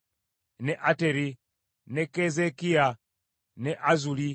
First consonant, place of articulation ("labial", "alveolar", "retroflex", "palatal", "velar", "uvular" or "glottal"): alveolar